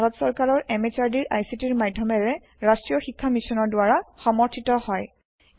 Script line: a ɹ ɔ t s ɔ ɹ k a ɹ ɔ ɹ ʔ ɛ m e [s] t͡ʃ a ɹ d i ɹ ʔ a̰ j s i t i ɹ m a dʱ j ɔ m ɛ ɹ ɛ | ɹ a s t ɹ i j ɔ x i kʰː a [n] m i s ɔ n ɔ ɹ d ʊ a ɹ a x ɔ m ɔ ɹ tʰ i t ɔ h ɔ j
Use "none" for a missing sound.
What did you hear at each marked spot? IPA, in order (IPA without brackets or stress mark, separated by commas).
none, none